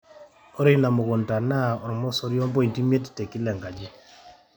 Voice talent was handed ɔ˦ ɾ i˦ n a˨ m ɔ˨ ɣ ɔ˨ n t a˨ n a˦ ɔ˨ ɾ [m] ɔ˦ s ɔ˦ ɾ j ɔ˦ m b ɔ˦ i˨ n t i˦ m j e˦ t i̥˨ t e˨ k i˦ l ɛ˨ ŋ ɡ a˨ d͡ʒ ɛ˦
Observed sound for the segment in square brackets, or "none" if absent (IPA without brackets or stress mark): m